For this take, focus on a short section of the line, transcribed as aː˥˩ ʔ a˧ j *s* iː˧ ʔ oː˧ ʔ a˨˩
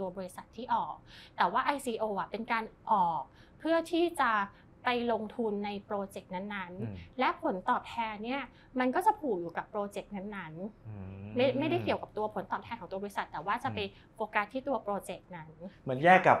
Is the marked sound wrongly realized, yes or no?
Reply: no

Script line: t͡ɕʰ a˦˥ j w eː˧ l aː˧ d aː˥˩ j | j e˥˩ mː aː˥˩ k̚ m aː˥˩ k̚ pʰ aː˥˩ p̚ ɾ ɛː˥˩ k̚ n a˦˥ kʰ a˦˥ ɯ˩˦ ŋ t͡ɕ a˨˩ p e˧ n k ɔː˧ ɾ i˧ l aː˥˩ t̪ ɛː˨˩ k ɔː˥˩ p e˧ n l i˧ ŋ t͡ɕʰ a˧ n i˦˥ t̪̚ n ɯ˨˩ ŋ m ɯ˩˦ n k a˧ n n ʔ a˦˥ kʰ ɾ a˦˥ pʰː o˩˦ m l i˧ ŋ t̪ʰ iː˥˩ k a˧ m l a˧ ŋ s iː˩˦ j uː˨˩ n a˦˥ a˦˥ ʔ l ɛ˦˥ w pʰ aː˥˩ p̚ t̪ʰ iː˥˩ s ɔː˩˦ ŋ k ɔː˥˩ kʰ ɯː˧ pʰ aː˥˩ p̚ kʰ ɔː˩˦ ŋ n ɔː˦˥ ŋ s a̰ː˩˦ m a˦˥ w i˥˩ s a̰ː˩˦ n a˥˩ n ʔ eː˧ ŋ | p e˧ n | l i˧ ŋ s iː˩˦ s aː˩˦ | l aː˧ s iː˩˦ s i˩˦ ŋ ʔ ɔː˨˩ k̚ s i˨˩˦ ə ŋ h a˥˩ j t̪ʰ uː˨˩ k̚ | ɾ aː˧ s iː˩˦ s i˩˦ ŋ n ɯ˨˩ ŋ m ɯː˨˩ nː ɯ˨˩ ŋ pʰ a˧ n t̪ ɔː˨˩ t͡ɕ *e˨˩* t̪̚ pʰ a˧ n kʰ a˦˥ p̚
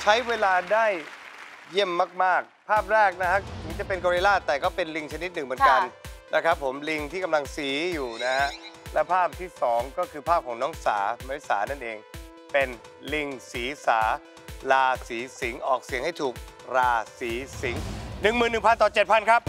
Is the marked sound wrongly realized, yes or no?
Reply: no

